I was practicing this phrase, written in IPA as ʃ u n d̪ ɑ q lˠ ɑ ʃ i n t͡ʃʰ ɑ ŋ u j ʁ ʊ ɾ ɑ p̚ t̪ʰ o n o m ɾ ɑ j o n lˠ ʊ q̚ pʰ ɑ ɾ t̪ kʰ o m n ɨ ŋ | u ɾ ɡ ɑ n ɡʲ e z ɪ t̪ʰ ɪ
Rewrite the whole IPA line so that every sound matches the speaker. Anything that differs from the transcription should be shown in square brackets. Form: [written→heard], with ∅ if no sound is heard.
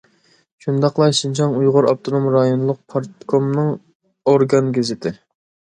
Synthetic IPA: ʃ u n d̪ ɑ q lˠ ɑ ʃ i n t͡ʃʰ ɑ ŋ u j ʁ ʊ ɾ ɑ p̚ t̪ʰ o n o m ɾ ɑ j o n lˠ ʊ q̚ pʰ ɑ ɾ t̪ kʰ o m n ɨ ŋ | [u→o] ɾ ɡ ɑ n ɡʲ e z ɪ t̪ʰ ɪ